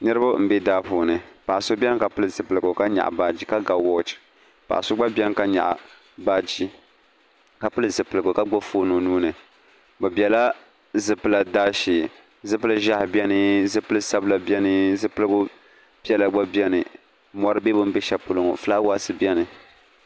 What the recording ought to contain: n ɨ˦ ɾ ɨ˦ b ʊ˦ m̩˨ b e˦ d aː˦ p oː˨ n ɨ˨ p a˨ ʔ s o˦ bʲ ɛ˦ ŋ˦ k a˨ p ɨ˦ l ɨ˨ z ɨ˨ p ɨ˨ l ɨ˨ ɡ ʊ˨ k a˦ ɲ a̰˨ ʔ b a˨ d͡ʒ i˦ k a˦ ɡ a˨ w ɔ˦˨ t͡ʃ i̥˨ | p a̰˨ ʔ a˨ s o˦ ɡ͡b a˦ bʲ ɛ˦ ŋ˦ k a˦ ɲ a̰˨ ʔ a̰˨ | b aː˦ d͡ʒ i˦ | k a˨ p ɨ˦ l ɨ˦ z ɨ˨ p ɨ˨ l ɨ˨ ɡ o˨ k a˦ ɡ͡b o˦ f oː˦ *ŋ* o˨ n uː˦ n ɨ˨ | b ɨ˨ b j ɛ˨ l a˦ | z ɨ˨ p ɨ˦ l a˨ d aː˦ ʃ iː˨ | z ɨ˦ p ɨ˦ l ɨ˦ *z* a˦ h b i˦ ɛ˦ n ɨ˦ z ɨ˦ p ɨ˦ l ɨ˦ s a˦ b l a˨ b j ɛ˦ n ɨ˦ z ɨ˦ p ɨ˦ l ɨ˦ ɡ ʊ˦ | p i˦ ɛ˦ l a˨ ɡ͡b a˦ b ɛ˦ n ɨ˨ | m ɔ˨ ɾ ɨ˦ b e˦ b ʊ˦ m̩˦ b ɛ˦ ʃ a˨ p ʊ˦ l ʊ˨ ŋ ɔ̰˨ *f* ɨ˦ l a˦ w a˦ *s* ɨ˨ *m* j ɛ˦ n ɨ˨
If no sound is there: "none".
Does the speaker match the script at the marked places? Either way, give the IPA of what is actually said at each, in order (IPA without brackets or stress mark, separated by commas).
n, ʒ, f, s, b